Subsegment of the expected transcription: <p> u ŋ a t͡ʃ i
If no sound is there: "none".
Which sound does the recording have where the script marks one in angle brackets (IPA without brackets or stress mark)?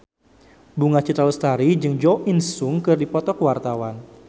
b